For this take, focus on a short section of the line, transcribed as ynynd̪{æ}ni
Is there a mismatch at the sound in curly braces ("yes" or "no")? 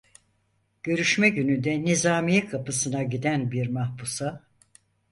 yes